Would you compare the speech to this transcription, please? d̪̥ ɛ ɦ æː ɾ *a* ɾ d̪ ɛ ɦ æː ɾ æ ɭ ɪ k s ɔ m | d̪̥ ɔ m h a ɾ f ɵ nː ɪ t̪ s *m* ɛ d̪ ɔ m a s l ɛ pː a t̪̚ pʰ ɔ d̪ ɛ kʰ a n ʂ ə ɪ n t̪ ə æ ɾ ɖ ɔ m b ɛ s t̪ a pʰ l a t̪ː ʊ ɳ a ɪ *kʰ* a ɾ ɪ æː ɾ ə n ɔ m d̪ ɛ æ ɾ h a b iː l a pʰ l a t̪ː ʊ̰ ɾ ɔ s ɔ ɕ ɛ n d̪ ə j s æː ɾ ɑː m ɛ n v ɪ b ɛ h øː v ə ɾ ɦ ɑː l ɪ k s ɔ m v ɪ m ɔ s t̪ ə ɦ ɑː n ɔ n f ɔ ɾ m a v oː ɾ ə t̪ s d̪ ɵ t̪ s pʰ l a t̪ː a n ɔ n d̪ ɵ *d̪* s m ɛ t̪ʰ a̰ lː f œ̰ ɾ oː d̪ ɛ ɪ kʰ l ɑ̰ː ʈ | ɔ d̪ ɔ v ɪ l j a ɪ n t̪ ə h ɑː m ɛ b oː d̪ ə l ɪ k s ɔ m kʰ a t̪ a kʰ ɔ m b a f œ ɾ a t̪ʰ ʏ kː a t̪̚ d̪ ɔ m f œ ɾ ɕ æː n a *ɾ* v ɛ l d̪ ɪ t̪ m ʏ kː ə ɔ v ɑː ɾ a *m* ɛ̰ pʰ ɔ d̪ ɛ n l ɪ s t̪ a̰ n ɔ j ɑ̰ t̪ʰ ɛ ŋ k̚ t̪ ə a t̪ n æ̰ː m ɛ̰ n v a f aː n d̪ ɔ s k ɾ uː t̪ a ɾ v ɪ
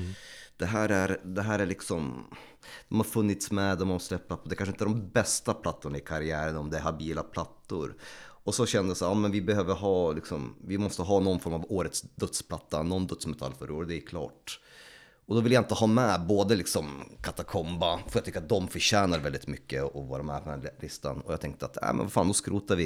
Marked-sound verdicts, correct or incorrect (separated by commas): incorrect, correct, correct, incorrect, correct, correct